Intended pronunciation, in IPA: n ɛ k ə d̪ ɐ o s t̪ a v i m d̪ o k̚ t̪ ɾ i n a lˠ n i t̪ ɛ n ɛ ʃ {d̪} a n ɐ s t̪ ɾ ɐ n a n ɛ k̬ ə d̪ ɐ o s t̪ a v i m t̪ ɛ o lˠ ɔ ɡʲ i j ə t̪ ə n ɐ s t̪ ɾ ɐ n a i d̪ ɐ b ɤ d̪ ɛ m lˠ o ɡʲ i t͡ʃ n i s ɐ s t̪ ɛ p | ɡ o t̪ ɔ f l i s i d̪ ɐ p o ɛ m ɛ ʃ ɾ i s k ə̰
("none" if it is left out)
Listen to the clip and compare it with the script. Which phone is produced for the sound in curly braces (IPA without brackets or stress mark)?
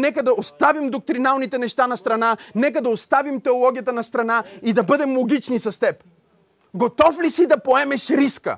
t̪